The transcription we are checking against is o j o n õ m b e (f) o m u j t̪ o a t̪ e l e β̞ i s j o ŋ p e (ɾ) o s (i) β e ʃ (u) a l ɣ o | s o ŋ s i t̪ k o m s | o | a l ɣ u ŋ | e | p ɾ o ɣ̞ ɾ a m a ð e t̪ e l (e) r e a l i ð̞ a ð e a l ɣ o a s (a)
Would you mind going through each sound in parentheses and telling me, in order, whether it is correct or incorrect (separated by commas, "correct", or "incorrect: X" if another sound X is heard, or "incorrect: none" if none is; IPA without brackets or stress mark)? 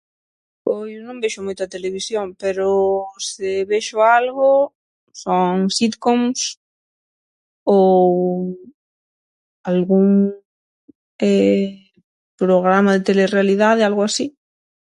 incorrect: ʃ, correct, incorrect: e, incorrect: o, correct, incorrect: i